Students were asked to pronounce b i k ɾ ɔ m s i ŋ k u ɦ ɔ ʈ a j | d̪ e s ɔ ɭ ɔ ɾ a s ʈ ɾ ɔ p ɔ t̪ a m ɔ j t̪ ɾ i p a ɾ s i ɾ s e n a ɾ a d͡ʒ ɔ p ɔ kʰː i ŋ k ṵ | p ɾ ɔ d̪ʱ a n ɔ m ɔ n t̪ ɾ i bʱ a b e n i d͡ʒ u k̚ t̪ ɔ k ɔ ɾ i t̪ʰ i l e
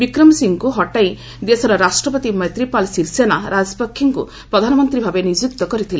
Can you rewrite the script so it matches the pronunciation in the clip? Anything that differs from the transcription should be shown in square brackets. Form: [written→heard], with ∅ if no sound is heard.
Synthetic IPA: b i k ɾ ɔ m s i ŋ k u ɦ ɔ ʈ a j | d̪ e s ɔ [ɭ→ɾ] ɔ ɾ a s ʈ ɾ ɔ p ɔ t̪ [a→i] m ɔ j t̪ ɾ i p a [ɾ→l] s i ɾ s e n a ɾ a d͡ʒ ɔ p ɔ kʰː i ŋ k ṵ | p ɾ ɔ d̪ʱ a n ɔ m ɔ n t̪ ɾ i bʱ a b e n i d͡ʒ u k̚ t̪ ɔ k ɔ ɾ i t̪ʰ i l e